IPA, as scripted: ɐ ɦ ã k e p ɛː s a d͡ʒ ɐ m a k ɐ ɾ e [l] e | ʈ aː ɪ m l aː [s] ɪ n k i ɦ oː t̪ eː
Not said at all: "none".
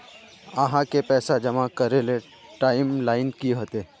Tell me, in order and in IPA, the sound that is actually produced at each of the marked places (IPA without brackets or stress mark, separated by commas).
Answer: l, none